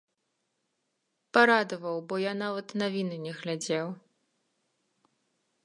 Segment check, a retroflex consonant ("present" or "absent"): absent